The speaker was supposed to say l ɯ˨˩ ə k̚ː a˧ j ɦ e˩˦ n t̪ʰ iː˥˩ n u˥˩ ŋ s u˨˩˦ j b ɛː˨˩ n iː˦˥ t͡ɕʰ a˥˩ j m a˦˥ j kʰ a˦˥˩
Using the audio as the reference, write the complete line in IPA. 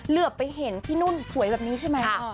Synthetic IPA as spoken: l ɯ˨˩ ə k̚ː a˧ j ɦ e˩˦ n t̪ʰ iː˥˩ n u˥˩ n s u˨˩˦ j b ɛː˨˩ n iː˦˥ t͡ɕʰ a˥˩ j m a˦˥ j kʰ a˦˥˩